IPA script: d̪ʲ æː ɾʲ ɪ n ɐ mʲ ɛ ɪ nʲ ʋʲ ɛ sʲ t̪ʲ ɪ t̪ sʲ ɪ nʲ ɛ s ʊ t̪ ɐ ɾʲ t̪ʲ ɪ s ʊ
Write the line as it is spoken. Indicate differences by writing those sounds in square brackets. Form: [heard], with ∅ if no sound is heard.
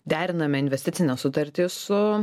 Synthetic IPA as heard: d̪ʲ æː ɾʲ ɪ n ɐ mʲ ɛ ɪ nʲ ʋʲ ɛ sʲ t̪ʲ ɪ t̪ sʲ ɪ nʲ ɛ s ʊ t̪ ɐ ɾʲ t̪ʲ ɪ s ʊ